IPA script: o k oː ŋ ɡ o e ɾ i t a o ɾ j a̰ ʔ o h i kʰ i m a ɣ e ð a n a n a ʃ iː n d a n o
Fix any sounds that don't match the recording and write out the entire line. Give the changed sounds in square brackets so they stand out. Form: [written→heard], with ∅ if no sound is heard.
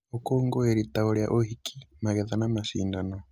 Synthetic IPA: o k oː ŋ ɡ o e ɾ i t a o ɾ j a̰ ʔ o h i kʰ i m a ɣ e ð a n a [n→m] a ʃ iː n d a n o